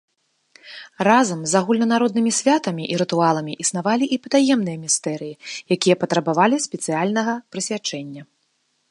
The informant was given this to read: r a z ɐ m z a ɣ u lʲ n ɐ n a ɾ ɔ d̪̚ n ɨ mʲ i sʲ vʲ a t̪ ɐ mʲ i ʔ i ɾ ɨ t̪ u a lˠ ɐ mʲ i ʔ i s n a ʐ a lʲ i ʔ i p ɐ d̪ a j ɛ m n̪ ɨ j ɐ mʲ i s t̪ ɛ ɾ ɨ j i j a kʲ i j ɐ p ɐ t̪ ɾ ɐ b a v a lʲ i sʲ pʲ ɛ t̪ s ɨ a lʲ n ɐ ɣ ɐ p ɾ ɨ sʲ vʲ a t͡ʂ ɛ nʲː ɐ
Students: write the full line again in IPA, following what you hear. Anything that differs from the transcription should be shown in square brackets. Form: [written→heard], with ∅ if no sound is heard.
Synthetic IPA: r a z ɐ m z a ɣ u lʲ n ɐ n a ɾ ɔ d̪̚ n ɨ mʲ i sʲ vʲ a t̪ ɐ mʲ i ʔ i ɾ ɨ t̪ u a lˠ ɐ mʲ i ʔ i s n a [ʐ→v] a lʲ i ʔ i p ɐ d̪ a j ɛ m n̪ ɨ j ɐ mʲ i s t̪ ɛ ɾ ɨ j i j a kʲ i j ɐ p ɐ t̪ ɾ ɐ b a v a lʲ i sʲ pʲ ɛ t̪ s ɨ a lʲ n ɐ ɣ ɐ p ɾ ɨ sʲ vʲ a t͡ʂ ɛ nʲː ɐ

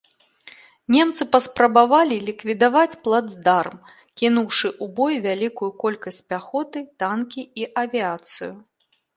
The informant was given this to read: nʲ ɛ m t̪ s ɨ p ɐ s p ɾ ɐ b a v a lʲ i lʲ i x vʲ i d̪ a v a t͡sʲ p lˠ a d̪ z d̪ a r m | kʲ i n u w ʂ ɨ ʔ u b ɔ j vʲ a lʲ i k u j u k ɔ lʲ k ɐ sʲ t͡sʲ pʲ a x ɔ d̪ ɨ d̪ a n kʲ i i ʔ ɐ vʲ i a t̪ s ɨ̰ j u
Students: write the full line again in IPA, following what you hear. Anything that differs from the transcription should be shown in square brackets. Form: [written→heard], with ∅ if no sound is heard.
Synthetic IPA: nʲ ɛ m t̪ s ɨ p ɐ s p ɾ ɐ b a v a lʲ i lʲ i [x→k] vʲ i d̪ a v a t͡sʲ p lˠ a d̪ z d̪ a r m | kʲ i n u w ʂ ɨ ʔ u b ɔ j vʲ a lʲ i k u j u k ɔ lʲ k ɐ sʲ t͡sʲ pʲ a x ɔ [d̪→t̪] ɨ [d̪→t̪] a n kʲ i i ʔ ɐ vʲ i a t̪ s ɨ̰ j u

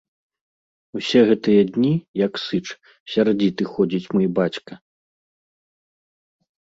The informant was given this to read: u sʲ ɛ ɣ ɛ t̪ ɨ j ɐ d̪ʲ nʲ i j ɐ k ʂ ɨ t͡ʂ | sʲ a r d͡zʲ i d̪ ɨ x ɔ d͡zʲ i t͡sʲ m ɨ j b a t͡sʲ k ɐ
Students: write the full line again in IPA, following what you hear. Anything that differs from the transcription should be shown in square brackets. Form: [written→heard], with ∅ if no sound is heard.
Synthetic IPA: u sʲ ɛ ɣ ɛ t̪ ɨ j ɐ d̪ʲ nʲ i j ɐ k [ʂ→s] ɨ t͡ʂ | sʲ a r d͡zʲ i [d̪→t̪] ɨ x ɔ d͡zʲ i t͡sʲ m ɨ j b a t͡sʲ k ɐ

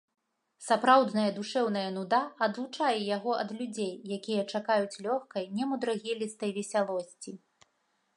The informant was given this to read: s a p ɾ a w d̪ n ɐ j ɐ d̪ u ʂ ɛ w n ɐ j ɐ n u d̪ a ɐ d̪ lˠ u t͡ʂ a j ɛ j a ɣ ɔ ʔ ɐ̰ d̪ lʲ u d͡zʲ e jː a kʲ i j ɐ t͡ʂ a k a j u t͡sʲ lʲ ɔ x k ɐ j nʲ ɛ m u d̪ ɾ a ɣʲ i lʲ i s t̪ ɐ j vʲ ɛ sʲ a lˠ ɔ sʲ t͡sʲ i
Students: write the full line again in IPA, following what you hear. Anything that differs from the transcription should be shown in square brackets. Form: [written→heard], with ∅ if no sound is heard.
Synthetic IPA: s a p ɾ a w d̪ n ɐ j ɐ d̪ u ʂ ɛ w n ɐ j ɐ n u d̪ a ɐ d̪ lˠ u t͡ʂ a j ɛ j a ɣ ɔ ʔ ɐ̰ d̪ lʲ u d͡zʲ e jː a kʲ i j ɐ t͡ʂ a k a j u t͡sʲ lʲ ɔ x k ɐ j nʲ ɛ m u d̪ ɾ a ɣʲ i lʲ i s t̪ ɐ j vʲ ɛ sʲ a lˠ ɔ sʲ t͡sʲ i

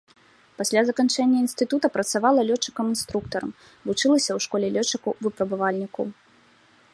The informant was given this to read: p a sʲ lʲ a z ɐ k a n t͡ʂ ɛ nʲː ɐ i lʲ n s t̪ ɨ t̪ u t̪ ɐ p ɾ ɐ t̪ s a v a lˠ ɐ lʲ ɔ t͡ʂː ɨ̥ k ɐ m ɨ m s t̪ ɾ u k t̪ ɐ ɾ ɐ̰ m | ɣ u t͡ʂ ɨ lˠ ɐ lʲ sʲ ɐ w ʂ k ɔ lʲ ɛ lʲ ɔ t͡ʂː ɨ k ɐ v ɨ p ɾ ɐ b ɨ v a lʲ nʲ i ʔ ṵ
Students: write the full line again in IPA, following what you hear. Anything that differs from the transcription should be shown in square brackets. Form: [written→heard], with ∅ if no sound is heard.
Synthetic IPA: p a sʲ lʲ a z ɐ k a n t͡ʂ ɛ nʲː ɐ i [lʲ→∅] n s t̪ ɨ t̪ u t̪ ɐ p ɾ ɐ t̪ s a v a lˠ ɐ lʲ ɔ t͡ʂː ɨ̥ k ɐ m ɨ [m→n] s t̪ ɾ u k t̪ ɐ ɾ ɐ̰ m | [ɣ→v] u t͡ʂ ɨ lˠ ɐ [lʲ→∅] sʲ ɐ w ʂ k ɔ lʲ ɛ lʲ ɔ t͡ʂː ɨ k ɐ v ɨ p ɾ ɐ b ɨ v a lʲ nʲ i [ʔ→k] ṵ

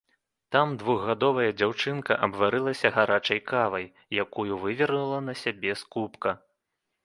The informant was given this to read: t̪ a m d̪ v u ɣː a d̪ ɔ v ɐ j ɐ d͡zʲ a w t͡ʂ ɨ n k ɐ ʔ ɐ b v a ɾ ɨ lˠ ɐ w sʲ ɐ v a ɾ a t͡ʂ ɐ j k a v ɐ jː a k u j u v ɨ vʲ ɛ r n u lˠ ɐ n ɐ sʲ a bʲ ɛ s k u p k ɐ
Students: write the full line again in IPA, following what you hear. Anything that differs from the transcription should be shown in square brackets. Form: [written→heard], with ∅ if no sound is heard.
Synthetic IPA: t̪ a m d̪ v u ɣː a d̪ ɔ v ɐ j ɐ d͡zʲ a w t͡ʂ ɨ n k ɐ ʔ ɐ b v a ɾ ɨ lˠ ɐ [w→∅] sʲ ɐ [v→ɣ] a ɾ a t͡ʂ ɐ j k a v ɐ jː a k u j u v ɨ vʲ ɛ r n u lˠ ɐ n ɐ sʲ a bʲ ɛ s k u p k ɐ

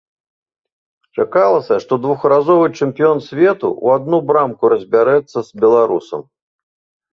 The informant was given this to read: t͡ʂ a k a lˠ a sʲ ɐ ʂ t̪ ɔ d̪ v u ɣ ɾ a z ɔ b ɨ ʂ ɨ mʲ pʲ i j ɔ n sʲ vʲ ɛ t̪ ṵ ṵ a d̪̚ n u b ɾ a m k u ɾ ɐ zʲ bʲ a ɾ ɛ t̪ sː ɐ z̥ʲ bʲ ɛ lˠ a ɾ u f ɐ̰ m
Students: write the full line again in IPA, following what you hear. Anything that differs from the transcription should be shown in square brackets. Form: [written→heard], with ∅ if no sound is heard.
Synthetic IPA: t͡ʂ a k a lˠ [a→ɐ] sʲ ɐ ʂ t̪ ɔ d̪ v u [ɣ→x] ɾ a z ɔ [b→v] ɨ [ʂ→t͡ʂ] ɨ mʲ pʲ i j ɔ n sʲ vʲ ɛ t̪ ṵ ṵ a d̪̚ n u b ɾ a m k u ɾ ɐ zʲ bʲ a ɾ ɛ t̪ sː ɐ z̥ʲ bʲ ɛ lˠ a ɾ u [f→s] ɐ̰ m

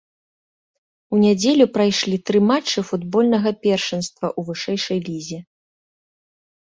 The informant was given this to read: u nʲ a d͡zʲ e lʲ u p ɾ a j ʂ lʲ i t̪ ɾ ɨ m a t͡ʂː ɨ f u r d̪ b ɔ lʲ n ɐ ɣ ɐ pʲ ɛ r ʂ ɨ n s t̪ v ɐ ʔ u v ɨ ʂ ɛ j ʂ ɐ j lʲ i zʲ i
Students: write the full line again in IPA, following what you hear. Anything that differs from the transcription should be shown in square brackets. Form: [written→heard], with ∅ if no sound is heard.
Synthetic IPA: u nʲ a d͡zʲ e lʲ u p ɾ a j ʂ lʲ i t̪ ɾ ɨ m a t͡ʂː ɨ f u [r→∅] d̪ b ɔ lʲ n ɐ ɣ ɐ pʲ ɛ r ʂ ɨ n s t̪ v ɐ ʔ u v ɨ ʂ ɛ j ʂ ɐ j lʲ i zʲ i

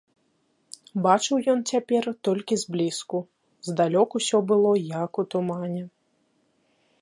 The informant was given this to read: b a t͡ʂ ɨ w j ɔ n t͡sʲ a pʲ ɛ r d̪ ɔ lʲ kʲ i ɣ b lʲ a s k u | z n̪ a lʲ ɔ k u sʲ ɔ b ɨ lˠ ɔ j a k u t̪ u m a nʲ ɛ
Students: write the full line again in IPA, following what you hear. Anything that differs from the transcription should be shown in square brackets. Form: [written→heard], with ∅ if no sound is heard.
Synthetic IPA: b a t͡ʂ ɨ w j ɔ n t͡sʲ a pʲ ɛ r [d̪→t̪] ɔ lʲ kʲ i [ɣ→z] b lʲ [a→i] s k u | z [n̪→d̪] a lʲ ɔ k u sʲ ɔ b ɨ lˠ ɔ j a k u t̪ u m a nʲ ɛ

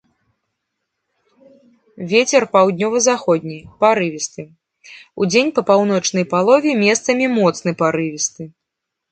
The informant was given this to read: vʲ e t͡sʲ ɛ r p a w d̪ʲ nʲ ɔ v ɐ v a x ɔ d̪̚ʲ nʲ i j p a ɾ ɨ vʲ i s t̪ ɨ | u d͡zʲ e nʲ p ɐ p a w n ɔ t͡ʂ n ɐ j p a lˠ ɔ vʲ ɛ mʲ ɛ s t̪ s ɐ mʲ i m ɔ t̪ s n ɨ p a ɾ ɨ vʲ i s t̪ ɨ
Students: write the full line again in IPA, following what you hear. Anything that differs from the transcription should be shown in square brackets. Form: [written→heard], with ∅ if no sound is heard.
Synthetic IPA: vʲ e t͡sʲ ɛ r p a w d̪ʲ nʲ ɔ v ɐ [v→z] a x ɔ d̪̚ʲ nʲ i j p a ɾ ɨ vʲ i s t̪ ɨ | u d͡zʲ e nʲ p ɐ p a w n ɔ t͡ʂ n ɐ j p a lˠ ɔ vʲ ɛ mʲ ɛ s t̪ s ɐ mʲ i m ɔ t̪ s n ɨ p a ɾ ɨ vʲ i s t̪ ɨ

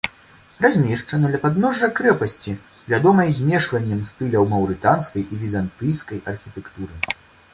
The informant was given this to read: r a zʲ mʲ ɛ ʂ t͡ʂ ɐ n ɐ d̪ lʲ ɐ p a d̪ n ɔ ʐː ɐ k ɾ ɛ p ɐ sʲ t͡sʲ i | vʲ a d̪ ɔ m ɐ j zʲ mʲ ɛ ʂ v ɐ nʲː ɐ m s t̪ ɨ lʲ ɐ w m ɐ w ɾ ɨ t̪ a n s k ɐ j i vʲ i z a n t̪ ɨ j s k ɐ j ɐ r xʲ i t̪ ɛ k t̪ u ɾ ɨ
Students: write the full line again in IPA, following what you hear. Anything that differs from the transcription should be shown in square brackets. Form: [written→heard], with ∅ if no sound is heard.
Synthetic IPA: r a zʲ mʲ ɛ ʂ t͡ʂ ɐ n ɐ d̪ lʲ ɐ p a d̪ n ɔ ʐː ɐ k ɾ ɛ p ɐ sʲ t͡sʲ i | vʲ a d̪ ɔ m ɐ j zʲ mʲ ɛ ʂ v ɐ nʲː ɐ m s t̪ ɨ lʲ ɐ w m ɐ w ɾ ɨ t̪ a n s k ɐ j i vʲ i z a n t̪ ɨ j s k ɐ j ɐ r xʲ i t̪ ɛ k t̪ u ɾ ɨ

